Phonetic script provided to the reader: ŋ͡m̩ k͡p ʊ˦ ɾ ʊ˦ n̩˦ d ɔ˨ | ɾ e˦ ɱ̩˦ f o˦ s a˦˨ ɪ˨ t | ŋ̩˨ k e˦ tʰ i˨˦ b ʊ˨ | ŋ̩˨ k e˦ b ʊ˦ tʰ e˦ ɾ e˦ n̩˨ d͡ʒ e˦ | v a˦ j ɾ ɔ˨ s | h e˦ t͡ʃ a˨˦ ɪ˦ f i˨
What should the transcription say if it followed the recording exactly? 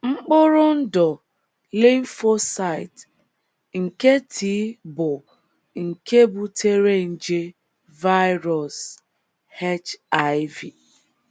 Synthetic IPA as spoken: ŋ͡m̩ k͡p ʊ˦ ɾ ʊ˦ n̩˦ d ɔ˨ | l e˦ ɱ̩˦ f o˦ s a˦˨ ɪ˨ t | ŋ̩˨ k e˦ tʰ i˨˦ b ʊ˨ | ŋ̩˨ k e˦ b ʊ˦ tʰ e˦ ɾ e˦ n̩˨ d͡ʒ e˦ | v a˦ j ɾ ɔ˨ s | h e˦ t͡ʃ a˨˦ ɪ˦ v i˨

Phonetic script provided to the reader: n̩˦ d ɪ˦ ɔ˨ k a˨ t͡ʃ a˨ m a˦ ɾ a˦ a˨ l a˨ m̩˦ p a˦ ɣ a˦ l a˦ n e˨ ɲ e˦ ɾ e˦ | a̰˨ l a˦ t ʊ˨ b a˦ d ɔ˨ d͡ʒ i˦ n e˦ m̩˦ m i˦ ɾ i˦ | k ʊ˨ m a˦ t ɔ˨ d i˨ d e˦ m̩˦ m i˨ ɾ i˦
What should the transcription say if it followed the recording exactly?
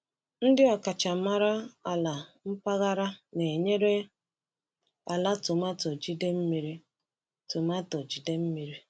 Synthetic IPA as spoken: n̩˦ d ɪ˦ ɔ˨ k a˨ t͡ʃ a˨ m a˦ ɾ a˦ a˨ l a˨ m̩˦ p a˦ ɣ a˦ ɾ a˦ n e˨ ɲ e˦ ɾ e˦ | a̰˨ l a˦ t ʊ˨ m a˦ t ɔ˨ d͡ʒ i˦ d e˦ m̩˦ m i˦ ɾ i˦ | t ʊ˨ m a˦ t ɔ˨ d͡ʒ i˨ d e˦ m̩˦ m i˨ ɾ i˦

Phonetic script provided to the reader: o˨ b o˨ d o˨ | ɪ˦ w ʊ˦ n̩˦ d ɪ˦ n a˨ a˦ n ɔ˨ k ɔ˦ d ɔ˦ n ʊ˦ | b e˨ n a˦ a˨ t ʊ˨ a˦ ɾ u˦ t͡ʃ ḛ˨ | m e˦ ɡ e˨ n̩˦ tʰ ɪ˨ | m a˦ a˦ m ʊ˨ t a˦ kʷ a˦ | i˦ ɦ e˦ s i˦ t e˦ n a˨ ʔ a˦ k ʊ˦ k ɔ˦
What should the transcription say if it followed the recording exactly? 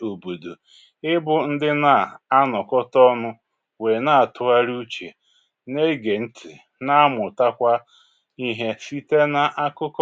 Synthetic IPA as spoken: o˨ b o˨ d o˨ | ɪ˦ b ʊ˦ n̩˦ d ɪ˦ n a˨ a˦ n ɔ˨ k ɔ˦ t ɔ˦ n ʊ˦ | w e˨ n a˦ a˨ t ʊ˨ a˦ ɾ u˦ t͡ʃ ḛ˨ | n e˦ ɡ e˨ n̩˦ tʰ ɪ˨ | n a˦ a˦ m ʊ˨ t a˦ kʷ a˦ | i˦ ɦ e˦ s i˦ t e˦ n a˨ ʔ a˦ k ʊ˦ k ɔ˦

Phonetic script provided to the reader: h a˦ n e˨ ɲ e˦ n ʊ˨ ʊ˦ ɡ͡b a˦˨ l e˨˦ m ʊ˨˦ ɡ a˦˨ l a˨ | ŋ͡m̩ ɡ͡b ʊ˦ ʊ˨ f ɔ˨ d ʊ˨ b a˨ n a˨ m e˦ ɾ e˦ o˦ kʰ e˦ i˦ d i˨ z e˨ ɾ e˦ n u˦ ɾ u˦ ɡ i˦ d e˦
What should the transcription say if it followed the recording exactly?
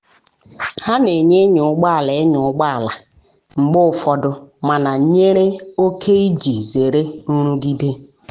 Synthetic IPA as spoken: h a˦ n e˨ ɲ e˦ ɲ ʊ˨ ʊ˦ ɡ͡b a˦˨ l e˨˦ ɲ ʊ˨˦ ɡ͡b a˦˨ l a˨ | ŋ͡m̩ ɡ͡b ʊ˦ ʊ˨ f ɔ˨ d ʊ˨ m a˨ n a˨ ɲ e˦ ɾ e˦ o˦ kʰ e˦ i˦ d͡ʒ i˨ z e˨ ɾ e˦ n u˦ ɾ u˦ ɡ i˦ d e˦

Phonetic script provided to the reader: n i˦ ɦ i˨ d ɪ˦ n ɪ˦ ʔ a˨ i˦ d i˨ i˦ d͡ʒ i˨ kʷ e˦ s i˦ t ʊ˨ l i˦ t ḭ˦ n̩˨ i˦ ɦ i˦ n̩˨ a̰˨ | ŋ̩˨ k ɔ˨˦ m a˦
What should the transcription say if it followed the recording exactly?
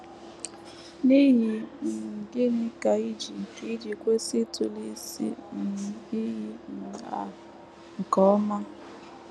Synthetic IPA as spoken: n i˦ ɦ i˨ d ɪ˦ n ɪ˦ k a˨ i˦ d͡ʒ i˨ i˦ d͡ʒ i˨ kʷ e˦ s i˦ t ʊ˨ l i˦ s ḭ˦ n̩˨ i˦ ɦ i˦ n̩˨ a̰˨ | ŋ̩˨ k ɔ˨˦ m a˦

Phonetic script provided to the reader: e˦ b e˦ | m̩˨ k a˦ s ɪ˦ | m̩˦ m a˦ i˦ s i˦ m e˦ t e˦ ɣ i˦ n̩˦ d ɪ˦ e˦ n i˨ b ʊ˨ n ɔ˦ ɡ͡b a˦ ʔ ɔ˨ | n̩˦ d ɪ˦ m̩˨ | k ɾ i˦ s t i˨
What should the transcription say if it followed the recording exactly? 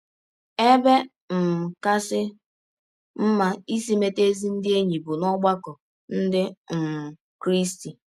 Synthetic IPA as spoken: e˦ b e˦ | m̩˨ k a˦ s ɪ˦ | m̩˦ m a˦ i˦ s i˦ m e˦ t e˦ z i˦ n̩˦ d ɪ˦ e˦ ɲ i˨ b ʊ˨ n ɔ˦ ɡ͡b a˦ k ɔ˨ | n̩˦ d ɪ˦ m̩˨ | k ɾ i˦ s t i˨

